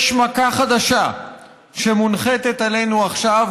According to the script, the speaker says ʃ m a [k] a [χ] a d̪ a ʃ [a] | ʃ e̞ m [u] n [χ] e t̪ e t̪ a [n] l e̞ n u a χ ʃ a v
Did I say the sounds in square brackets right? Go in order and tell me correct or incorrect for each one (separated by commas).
correct, correct, correct, correct, correct, incorrect